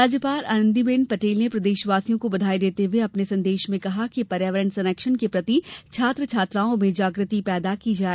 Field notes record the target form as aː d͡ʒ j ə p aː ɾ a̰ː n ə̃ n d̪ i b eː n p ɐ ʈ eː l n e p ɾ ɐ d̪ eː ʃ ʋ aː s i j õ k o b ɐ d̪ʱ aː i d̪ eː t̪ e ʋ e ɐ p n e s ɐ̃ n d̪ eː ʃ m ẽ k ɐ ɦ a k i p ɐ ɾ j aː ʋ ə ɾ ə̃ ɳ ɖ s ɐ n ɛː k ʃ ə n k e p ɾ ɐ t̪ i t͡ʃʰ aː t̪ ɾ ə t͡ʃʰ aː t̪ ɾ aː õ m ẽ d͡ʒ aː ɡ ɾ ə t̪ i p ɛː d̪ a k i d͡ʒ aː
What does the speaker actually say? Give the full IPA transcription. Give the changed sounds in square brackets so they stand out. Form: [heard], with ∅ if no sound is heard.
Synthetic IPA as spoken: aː d͡ʒ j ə p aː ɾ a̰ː n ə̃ n d̪ i b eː n p ɐ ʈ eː l n e p ɾ ɐ d̪ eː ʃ ʋ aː s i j õ k o b ɐ d̪ʱ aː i d̪ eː t̪ e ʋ e ɐ p n e s ɐ̃ n d̪ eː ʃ m ẽ k ɐ ɦ a k i p ɐ ɾ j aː ʋ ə ɾ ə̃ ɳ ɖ s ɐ n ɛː k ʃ ə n k e p ɾ ɐ t̪ i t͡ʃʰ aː t̪ ɾ ə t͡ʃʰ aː t̪ ɾ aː õ m ẽ d͡ʒ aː ɡ ɾ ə t̪ i p ɛː d̪ a k i d͡ʒ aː